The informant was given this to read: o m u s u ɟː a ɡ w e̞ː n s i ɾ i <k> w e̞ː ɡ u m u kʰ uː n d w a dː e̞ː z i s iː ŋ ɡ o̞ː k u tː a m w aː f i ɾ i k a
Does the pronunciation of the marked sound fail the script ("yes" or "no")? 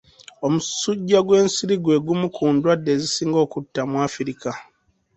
yes